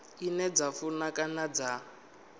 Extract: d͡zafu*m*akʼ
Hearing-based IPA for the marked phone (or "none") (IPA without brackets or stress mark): n